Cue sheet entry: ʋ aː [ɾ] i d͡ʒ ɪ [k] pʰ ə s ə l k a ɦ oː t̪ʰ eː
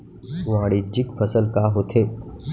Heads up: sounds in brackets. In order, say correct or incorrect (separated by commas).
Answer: incorrect, correct